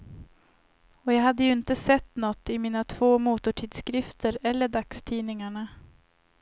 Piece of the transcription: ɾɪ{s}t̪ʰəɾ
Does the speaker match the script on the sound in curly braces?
no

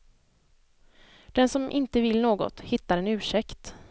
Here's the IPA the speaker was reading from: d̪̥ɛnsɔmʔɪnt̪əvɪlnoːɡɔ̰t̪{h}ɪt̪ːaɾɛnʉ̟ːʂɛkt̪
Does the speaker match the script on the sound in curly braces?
yes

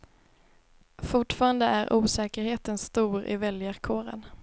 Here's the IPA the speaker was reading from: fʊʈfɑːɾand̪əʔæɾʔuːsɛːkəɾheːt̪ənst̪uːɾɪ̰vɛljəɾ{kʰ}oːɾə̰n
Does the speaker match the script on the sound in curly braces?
yes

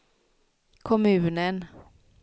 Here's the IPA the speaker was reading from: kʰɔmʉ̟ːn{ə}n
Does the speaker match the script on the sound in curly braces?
yes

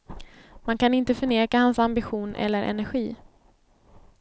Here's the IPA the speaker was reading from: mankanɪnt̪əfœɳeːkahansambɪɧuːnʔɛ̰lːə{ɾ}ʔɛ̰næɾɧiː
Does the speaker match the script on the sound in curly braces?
yes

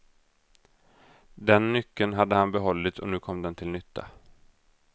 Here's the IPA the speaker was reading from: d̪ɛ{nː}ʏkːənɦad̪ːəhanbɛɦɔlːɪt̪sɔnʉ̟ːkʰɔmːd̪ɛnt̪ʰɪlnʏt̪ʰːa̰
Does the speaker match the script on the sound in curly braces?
yes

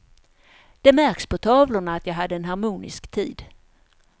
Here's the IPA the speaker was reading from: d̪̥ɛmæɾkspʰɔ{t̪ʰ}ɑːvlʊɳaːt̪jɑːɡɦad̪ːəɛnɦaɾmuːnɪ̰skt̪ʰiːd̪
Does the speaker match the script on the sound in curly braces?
yes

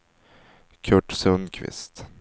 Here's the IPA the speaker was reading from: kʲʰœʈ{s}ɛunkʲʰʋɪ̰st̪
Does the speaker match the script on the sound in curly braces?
yes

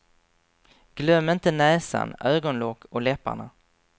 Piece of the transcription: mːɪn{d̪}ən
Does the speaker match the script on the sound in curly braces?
no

